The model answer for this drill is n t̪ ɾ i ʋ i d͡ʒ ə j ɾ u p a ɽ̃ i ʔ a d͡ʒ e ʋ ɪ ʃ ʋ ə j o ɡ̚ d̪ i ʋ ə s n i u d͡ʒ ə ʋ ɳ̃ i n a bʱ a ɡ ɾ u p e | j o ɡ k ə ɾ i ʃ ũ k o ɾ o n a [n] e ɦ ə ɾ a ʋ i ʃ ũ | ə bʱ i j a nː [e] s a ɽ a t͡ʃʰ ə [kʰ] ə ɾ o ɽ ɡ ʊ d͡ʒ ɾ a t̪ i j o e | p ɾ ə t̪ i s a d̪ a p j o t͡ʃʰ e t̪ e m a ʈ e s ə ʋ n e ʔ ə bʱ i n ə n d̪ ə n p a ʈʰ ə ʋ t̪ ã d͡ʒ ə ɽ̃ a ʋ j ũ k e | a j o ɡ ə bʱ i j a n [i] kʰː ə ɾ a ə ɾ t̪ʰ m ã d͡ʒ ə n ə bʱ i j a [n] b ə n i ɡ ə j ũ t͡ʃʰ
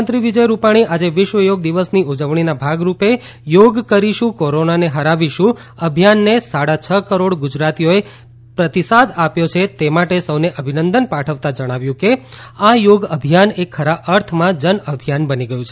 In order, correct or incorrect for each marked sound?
correct, correct, incorrect, incorrect, correct

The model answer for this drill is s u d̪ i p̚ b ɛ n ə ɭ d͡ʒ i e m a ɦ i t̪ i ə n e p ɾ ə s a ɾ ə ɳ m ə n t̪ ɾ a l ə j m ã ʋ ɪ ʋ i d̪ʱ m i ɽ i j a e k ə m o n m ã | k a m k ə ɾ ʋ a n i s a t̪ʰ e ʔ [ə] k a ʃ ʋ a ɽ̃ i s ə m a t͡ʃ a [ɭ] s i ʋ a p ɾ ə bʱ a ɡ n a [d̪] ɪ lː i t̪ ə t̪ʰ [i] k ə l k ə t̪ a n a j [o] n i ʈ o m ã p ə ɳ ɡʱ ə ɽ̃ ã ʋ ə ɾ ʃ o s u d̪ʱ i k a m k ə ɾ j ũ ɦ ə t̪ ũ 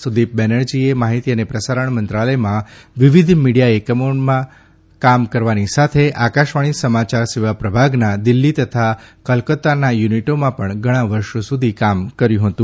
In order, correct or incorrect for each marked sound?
incorrect, incorrect, correct, incorrect, incorrect

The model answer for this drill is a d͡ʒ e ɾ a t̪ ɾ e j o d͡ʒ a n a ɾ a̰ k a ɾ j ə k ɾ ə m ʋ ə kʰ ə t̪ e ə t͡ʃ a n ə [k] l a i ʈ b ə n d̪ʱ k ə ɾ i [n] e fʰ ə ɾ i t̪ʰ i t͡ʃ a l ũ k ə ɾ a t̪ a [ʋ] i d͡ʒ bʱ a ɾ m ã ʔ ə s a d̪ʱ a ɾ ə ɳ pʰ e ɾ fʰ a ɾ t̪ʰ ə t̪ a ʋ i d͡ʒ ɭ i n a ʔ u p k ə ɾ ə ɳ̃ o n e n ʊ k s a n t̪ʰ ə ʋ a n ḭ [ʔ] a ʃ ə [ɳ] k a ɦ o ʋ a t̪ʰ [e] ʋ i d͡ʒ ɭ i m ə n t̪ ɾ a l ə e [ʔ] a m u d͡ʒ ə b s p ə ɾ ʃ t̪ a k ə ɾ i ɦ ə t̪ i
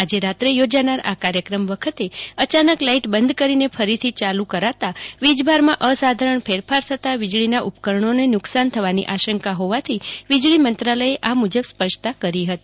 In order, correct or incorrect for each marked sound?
correct, correct, correct, correct, incorrect, incorrect, correct

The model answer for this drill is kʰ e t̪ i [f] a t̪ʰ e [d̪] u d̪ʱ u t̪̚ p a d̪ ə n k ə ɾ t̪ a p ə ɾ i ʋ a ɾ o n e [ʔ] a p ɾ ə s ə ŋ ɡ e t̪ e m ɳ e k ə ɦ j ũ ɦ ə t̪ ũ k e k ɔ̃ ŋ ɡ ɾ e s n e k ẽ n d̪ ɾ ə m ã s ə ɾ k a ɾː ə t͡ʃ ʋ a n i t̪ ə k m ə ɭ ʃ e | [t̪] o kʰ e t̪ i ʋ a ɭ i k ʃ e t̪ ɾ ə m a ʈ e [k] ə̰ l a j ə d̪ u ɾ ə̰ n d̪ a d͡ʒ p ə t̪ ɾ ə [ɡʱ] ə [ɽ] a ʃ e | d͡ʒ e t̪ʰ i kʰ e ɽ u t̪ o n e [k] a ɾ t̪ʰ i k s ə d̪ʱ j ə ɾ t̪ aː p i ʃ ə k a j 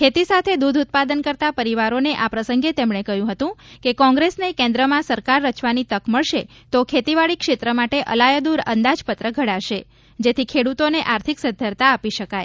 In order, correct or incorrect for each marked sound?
incorrect, correct, correct, correct, incorrect, correct, correct, incorrect

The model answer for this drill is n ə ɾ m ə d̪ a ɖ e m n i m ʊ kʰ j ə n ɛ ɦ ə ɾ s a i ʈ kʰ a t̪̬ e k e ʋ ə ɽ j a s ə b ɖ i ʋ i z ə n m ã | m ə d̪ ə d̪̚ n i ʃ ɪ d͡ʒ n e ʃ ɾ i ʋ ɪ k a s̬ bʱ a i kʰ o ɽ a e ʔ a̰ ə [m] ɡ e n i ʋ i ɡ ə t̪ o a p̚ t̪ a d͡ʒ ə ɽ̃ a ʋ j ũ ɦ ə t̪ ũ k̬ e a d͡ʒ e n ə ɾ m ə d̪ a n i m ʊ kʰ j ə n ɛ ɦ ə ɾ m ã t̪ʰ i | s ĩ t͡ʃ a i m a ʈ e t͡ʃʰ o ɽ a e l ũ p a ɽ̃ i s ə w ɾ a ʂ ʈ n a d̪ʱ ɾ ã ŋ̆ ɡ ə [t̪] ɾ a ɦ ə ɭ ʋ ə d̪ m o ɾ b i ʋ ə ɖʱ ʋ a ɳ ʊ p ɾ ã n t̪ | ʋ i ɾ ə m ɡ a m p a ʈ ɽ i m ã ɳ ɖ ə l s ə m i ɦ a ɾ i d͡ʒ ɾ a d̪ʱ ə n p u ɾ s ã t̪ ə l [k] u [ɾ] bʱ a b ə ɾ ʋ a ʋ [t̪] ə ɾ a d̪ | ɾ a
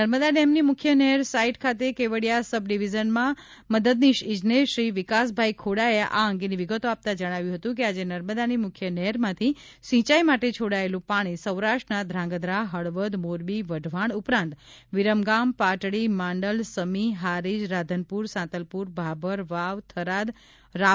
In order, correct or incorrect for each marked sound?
incorrect, incorrect, incorrect, correct, incorrect

